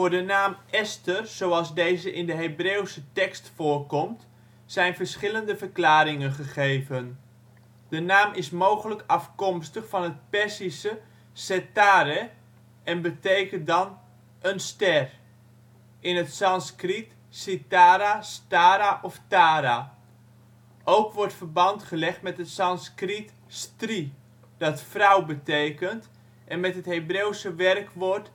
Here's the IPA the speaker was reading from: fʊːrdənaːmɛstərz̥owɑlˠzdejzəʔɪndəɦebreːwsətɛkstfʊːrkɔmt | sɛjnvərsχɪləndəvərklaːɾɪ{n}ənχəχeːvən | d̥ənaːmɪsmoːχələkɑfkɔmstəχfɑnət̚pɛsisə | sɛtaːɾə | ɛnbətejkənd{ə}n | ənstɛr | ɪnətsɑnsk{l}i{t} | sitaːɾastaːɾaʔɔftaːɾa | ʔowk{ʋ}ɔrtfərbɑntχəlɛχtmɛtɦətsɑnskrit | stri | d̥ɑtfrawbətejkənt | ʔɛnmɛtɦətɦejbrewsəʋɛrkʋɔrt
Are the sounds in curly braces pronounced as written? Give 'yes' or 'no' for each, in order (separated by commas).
no, no, no, yes, yes